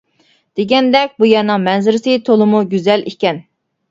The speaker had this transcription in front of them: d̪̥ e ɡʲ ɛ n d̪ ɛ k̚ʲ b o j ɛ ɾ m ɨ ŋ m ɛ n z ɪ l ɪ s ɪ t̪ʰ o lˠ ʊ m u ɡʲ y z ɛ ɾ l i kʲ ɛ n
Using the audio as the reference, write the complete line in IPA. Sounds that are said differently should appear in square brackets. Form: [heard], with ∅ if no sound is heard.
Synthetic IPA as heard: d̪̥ e ɡʲ ɛ n d̪ ɛ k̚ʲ b [u] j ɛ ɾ [n] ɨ ŋ m ɛ n z ɪ [ɾ] ɪ s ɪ t̪ʰ o lˠ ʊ m u ɡʲ y z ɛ [∅] l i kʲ ɛ n

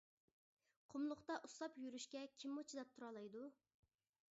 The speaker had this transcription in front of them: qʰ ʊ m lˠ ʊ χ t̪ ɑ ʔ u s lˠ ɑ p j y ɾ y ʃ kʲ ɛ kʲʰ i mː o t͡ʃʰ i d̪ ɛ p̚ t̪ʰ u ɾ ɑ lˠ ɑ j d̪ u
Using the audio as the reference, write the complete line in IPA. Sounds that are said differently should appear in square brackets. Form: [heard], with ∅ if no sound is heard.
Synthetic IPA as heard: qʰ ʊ m lˠ ʊ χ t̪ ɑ ʔ u s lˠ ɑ p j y ɾ y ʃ kʲ ɛ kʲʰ i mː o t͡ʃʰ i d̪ ɛ p̚ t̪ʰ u ɾ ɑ lˠ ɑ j d̪ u

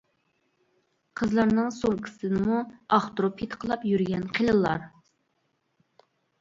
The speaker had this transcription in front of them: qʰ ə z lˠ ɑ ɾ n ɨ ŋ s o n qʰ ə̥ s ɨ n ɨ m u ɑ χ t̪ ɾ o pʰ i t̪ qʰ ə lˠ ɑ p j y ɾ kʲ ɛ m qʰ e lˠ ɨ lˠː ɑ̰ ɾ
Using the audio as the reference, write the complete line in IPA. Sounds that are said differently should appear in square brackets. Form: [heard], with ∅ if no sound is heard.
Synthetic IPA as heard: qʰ ə z lˠ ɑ ɾ n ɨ ŋ s o [ŋ] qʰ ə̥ s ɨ n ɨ m u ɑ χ t̪ ɾ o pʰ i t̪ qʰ ə lˠ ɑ p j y ɾ [ɡʲ] ɛ [n] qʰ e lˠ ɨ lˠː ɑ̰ ɾ

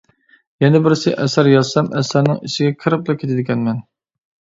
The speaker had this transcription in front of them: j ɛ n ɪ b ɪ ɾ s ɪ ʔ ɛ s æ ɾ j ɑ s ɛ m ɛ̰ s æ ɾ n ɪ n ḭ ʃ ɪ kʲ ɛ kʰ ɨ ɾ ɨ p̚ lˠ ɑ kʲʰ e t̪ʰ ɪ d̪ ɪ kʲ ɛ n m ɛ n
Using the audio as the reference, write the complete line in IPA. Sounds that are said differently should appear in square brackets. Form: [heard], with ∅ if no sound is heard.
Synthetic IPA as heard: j ɛ n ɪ b ɪ ɾ s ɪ ʔ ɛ s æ ɾ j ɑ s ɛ m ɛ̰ s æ ɾ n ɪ [ŋ] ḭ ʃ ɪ [ɡʲ] ɛ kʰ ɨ ɾ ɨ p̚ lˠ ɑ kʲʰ e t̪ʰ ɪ d̪ ɪ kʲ ɛ n m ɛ n

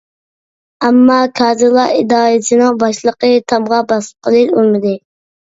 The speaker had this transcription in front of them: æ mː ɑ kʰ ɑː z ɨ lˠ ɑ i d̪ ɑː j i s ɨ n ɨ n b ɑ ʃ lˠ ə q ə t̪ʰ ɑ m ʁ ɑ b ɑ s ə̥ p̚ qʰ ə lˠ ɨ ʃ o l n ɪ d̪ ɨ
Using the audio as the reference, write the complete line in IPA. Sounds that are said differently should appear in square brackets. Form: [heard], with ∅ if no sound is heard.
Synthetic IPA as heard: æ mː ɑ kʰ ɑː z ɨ lˠ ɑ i d̪ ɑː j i s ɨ n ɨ [ŋ] b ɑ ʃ lˠ ə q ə t̪ʰ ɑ m ʁ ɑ b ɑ s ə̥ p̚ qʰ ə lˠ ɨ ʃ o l [m] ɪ d̪ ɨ

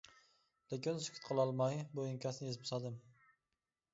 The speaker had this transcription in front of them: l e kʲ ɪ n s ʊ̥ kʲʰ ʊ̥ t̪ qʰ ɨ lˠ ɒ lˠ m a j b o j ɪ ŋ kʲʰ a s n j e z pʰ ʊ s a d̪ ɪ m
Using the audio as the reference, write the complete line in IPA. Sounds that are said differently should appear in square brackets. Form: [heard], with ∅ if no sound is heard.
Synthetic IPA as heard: l e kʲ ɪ n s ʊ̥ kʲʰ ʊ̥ t̪ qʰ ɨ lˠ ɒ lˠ m a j b o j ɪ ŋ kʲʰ a s n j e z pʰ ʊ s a d̪ ɪ m

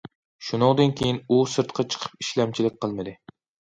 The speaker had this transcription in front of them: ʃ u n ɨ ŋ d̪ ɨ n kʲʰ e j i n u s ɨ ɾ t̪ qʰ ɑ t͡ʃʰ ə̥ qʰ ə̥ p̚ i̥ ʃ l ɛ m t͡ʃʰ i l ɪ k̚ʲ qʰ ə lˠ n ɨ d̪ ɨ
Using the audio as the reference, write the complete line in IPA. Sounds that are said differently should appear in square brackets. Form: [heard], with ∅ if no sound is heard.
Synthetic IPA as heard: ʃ u n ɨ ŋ d̪ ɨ n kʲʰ e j i n u s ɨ ɾ t̪ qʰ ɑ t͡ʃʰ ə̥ qʰ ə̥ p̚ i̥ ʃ l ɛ m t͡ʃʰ i l ɪ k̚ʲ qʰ ə lˠ [m] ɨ d̪ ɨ

